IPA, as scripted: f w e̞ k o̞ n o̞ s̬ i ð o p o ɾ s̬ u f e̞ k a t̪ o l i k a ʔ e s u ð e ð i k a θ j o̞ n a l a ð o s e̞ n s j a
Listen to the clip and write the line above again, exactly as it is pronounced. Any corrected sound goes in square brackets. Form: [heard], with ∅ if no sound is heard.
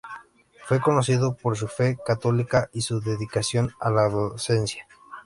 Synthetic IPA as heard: f w e̞ k o̞ n o̞ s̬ i ð o p o ɾ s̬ u f e̞ k a t̪ o l i k a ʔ [i] s u ð e ð i k a [s] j o̞ n a l a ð o s e̞ n s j a